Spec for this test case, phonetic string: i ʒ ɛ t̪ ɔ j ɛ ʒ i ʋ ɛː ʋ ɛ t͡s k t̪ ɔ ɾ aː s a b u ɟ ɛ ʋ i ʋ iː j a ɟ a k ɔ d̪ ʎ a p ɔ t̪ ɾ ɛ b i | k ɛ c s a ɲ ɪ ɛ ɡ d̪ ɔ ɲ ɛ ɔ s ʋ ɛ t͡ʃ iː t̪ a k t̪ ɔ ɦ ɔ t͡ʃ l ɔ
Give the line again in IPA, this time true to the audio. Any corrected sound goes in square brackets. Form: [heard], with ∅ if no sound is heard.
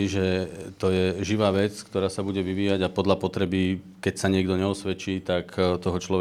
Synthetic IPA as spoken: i ʒ ɛ t̪ ɔ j ɛ ʒ i ʋ [aː] ʋ ɛ t͡s k t̪ ɔ ɾ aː s a b u ɟ ɛ ʋ i ʋ iː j a ɟ a [p] ɔ d̪ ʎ a p ɔ t̪ ɾ ɛ b i | k ɛ c s a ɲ ɪ ɛ ɡ d̪ ɔ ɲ ɛ ɔ s ʋ ɛ t͡ʃ iː t̪ a k t̪ ɔ ɦ ɔ t͡ʃ l ɔ